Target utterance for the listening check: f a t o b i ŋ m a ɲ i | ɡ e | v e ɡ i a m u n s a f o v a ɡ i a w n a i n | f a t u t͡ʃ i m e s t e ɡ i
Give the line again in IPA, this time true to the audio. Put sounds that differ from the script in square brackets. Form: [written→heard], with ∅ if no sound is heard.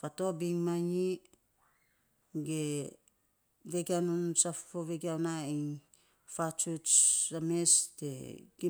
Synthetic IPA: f a t o b i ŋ m a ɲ i | ɡ e | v e ɡ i a [m→n] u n s a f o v [a→e] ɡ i a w n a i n | f a [t→t͡ʃ] u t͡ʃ [i→a] m e s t e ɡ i

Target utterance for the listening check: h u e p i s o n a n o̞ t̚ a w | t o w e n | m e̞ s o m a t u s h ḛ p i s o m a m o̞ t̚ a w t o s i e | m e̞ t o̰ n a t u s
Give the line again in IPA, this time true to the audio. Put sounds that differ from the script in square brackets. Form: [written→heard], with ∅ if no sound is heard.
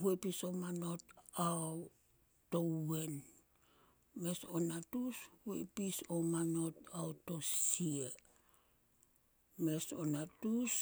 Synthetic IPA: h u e p i s o [n→m] a n o̞ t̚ a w | t o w e n | m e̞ s o [m→n] a t u s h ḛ p i s o m a [m→n] o̞ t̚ a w t o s i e | m e̞ [t→s] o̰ n a t u s

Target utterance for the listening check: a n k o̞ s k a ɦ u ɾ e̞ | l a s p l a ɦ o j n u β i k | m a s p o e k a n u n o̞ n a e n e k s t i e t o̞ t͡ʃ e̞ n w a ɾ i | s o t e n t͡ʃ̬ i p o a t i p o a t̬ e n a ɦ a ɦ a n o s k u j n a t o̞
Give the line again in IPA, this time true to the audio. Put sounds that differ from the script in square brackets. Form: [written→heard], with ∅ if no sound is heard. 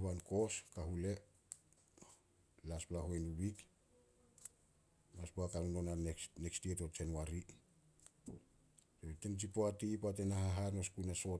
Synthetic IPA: a n k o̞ s k a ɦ u [ɾ→l] e̞ | l a s p l a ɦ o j n u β i k | m a s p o [e→a] k a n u n o̞ n a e n e k s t i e t o̞ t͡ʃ e̞ n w a ɾ i | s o t e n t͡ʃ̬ i p o a t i p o a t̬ e n a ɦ a ɦ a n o s k u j n a [t→s] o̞

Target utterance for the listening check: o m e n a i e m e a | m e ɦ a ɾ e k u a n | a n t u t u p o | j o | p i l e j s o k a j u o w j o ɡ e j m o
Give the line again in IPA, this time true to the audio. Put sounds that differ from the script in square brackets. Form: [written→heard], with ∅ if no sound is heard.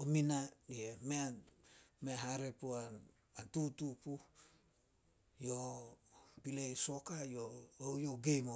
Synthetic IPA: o m [e→i] n a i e m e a | m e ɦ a ɾ e [k→p] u a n | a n t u t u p [o→u] | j o | p i l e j s o k a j [u→o] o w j o ɡ e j m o

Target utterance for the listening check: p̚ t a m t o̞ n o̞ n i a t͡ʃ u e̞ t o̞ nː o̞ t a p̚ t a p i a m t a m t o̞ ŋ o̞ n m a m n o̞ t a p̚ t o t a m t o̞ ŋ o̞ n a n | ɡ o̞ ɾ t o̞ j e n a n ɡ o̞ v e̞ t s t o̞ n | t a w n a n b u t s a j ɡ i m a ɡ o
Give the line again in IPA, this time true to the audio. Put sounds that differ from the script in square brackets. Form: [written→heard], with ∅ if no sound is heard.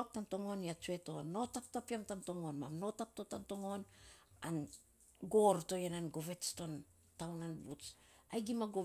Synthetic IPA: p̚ t a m t o̞ [n→ŋ] o̞ n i a t͡ʃ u e̞ t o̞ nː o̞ t a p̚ t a p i a m t a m t o̞ ŋ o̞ n m a m n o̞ t a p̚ t o t a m t o̞ ŋ o̞ n a n | ɡ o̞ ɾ t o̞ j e n a n ɡ o̞ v e̞ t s t o̞ n | t a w n a n b u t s a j ɡ i m a ɡ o

